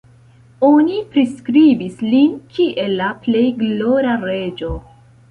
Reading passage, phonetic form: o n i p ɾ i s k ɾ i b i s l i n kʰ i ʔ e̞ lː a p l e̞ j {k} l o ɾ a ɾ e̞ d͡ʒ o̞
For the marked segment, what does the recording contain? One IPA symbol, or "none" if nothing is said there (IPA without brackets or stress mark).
ɡ